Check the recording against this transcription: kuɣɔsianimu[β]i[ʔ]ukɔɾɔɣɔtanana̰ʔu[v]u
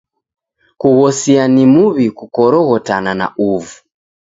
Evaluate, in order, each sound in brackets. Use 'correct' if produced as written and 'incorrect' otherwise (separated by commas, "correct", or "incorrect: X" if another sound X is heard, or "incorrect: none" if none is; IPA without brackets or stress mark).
correct, incorrect: k, correct